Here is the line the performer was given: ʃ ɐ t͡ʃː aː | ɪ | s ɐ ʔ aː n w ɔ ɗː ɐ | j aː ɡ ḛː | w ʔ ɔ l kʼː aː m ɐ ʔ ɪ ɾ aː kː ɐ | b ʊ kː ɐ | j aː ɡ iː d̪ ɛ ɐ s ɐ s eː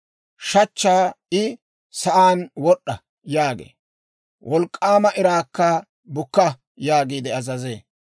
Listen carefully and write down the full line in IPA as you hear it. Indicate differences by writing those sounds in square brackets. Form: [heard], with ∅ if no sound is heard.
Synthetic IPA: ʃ ɐ t͡ʃː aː | ɪ | s ɐ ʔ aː n w ɔ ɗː ɐ | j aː ɡ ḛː | w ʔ ɔ l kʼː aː m ɐ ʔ ɪ ɾ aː kː ɐ | b ʊ kː ɐ | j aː ɡ iː d̪ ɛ ɐ [z] ɐ [z] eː

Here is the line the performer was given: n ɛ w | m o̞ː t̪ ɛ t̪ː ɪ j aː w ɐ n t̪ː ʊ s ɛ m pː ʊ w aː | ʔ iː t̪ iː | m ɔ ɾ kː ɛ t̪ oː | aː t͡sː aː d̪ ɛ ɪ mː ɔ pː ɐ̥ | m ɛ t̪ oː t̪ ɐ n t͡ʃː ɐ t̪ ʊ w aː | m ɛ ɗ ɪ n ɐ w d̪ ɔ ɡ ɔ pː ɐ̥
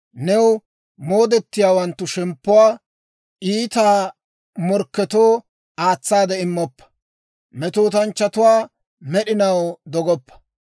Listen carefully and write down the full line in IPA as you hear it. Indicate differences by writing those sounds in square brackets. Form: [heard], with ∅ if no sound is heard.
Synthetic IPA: n ɛ w | m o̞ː [d̪] ɛ t̪ː ɪ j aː w ɐ n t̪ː ʊ [ʃ] ɛ m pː ʊ w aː | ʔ iː t̪ [aː] | m ɔ ɾ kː ɛ t̪ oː | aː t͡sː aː d̪ ɛ ɪ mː ɔ pː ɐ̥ | m ɛ t̪ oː t̪ ɐ n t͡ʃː ɐ t̪ ʊ w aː | m ɛ ɗ ɪ n ɐ w d̪ ɔ ɡ ɔ pː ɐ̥

